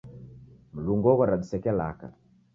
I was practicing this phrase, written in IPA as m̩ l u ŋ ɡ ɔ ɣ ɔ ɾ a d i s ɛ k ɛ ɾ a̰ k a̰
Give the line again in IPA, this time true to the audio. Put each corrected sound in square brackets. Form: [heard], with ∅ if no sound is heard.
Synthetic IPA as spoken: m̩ l u ŋ ɡ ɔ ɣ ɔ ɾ a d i s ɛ k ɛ [l] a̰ k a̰

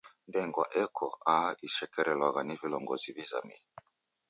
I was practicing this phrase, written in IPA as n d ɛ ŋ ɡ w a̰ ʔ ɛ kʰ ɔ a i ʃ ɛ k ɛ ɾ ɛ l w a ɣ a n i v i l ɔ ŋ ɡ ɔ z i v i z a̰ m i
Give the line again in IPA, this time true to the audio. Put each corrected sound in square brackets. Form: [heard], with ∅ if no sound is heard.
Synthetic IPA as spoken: n d ɛ ŋ ɡ w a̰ ʔ ɛ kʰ ɔ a i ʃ ɛ k ɛ ɾ ɛ l w a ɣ a n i v i l ɔ ŋ ɡ ɔ z i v i z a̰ m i

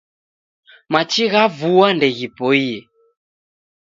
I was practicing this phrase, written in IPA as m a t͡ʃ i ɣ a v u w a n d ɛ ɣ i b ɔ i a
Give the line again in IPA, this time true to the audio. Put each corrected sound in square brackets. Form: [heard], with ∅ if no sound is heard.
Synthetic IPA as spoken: m a t͡ʃ i ɣ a v u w a n d ɛ ɣ i [p] ɔ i [ɛ]

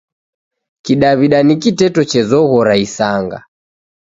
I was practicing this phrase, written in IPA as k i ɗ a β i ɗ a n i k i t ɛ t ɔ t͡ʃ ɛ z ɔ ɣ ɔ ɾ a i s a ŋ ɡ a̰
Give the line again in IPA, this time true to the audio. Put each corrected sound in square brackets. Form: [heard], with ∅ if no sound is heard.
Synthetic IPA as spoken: k i ɗ a β i ɗ a n i k i t ɛ t ɔ t͡ʃ ɛ z ɔ ɣ ɔ ɾ a i s a ŋ ɡ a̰

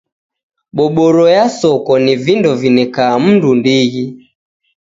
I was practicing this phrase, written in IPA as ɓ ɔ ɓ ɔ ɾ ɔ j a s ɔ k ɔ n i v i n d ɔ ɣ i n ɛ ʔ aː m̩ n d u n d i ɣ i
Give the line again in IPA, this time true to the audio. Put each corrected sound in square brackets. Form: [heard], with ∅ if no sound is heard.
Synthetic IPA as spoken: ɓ ɔ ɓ ɔ ɾ ɔ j a s ɔ k ɔ n i v i n d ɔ [v] i n ɛ [k] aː m̩ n d u n d i ɣ i

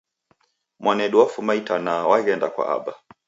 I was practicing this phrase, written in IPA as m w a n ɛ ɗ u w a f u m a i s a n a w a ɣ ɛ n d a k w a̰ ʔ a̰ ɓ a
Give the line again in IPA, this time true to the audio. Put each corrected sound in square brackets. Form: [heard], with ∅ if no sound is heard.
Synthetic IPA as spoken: m w a n ɛ ɗ u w a f u m a i [t] a n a w a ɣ ɛ n d a k w a̰ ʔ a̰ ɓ a

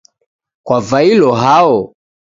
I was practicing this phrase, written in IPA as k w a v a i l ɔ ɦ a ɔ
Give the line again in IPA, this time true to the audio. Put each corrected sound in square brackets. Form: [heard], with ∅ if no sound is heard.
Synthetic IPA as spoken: k w a v a i l ɔ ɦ a ɔ

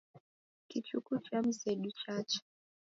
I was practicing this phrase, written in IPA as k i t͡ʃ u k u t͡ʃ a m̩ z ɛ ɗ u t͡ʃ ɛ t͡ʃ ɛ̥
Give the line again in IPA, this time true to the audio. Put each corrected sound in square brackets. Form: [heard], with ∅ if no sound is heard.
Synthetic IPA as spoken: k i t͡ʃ u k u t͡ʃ a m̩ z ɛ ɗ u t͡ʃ [a] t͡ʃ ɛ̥

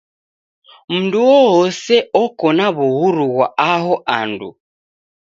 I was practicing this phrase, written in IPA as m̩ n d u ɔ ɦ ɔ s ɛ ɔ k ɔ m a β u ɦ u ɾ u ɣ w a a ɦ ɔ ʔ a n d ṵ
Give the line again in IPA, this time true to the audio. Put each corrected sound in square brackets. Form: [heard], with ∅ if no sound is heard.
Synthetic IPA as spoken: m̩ n d u ɔ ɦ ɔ s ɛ ɔ k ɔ [n] a β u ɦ u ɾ u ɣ w a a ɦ ɔ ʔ a n d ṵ

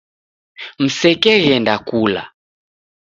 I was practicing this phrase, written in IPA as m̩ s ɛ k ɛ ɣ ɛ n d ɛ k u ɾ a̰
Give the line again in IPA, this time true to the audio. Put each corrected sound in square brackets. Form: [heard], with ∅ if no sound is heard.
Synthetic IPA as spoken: m̩ s ɛ k ɛ ɣ ɛ n d [a] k u [l] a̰

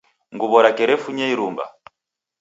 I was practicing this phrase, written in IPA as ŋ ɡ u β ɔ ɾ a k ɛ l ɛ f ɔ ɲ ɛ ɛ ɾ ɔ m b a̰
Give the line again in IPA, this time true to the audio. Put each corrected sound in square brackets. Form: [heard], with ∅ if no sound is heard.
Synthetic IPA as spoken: ŋ ɡ u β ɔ ɾ a k ɛ [ɾ] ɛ f [u] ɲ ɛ [i] ɾ [u] m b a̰

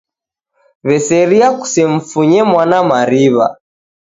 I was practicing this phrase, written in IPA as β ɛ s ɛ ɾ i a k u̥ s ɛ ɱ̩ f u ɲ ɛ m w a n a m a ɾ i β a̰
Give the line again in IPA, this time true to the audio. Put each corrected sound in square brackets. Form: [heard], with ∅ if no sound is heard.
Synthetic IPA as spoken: β ɛ s ɛ ɾ i a k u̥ s ɛ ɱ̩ f u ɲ ɛ m w a n a m a ɾ i β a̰

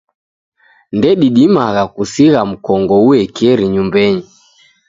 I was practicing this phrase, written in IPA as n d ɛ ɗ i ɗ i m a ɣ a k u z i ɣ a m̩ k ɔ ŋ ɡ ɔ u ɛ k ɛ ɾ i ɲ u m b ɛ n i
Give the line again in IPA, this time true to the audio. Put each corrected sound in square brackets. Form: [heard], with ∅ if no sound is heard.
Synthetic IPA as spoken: n d ɛ ɗ i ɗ i m a ɣ a k u [s] i ɣ a m̩ k ɔ ŋ ɡ ɔ u ɛ k ɛ ɾ i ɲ u m b ɛ [ɲ] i

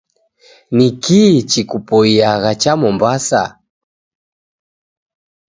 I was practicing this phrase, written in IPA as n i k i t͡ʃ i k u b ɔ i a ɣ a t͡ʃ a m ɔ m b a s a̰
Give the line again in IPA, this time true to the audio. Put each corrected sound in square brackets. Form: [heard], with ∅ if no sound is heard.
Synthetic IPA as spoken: n i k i t͡ʃ i k u [p] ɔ i a ɣ a t͡ʃ a m ɔ m b a s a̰

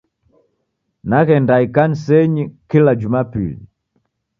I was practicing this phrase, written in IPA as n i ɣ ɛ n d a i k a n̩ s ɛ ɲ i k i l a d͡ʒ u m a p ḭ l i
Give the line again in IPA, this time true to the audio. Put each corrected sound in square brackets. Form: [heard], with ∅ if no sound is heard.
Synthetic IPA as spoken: n [a] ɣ ɛ n d a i k a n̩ s ɛ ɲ i k i l a d͡ʒ u m a p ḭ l i

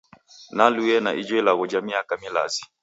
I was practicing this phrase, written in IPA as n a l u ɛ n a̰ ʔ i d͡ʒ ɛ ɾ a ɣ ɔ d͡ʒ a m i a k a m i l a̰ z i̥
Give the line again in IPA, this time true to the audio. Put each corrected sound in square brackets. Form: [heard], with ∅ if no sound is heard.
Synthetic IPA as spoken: n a l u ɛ n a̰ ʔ i d͡ʒ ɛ [l] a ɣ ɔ d͡ʒ a m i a k a m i l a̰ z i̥

